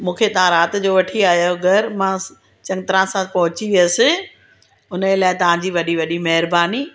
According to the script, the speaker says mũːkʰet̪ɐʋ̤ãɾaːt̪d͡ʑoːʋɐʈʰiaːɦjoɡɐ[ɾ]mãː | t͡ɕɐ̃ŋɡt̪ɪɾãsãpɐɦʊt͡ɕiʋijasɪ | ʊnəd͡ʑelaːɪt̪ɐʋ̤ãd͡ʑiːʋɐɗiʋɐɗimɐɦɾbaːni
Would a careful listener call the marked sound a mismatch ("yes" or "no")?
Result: no